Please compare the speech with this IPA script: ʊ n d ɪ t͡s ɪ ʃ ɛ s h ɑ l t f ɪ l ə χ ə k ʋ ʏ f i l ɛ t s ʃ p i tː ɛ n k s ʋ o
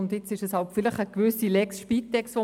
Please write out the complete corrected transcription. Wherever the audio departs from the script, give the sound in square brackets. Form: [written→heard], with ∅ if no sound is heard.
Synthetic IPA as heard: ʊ n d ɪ t͡s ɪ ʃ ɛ s h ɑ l t f ɪ l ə χ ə k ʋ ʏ [f→s] i l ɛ [t→k] s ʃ p i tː ɛ [n→∅] k s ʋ o